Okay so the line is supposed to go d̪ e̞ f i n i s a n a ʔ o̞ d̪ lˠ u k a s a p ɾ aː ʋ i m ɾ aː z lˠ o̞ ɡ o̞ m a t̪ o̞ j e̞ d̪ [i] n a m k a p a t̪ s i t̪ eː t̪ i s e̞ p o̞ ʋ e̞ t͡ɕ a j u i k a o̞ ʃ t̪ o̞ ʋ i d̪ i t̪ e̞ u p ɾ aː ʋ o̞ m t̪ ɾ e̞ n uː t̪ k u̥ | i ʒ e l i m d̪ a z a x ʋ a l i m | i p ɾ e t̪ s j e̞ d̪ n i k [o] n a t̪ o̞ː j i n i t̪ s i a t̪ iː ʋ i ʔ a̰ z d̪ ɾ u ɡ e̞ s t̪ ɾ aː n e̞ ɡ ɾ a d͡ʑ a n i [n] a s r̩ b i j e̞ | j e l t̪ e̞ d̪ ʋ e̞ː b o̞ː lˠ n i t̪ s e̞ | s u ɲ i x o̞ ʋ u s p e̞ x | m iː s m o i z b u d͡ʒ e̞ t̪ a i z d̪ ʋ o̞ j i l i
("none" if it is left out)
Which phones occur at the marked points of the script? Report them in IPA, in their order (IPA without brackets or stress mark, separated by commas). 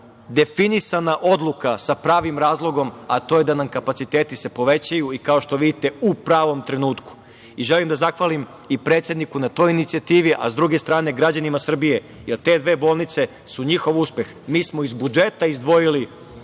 a, u, m